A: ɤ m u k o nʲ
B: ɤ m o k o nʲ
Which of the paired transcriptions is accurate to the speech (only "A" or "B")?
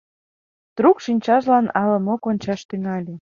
B